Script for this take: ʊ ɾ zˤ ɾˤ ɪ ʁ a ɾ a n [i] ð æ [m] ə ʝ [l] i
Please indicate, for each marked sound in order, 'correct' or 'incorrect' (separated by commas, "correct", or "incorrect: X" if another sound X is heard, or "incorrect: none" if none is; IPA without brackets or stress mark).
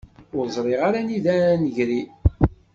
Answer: correct, incorrect: n, incorrect: ɾ